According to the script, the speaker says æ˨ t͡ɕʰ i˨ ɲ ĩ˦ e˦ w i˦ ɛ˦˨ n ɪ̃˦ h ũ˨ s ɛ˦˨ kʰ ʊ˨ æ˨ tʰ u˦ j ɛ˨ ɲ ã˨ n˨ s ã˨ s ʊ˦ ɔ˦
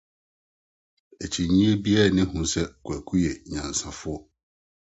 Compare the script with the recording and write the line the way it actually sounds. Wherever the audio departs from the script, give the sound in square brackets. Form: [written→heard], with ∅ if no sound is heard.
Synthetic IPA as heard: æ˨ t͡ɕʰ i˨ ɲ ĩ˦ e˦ [w→b] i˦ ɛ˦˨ n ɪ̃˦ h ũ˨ s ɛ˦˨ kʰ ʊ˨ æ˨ [tʰ→kʰ] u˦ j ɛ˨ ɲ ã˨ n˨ s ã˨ [s→f] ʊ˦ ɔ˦